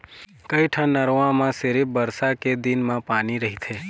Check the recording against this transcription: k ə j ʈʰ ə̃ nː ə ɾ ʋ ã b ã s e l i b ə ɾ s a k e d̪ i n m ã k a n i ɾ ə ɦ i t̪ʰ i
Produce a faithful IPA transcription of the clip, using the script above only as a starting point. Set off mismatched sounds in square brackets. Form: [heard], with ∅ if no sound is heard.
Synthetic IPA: k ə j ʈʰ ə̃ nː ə ɾ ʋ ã [m] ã s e [ɾ] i b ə ɾ s a k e d̪ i n m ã [p] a n i ɾ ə ɦ i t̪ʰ [e]